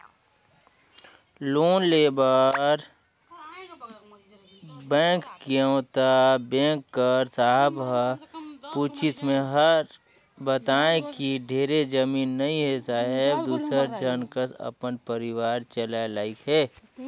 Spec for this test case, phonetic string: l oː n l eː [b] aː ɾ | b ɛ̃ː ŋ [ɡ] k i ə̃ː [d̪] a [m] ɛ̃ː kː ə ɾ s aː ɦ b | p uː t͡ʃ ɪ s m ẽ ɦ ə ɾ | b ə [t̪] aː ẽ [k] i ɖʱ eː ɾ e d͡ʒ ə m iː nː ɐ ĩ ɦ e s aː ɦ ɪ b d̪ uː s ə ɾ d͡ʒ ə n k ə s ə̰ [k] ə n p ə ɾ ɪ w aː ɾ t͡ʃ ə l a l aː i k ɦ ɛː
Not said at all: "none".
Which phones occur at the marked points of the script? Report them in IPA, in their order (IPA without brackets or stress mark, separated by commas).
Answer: b, k, t̪, b, t̪, k, p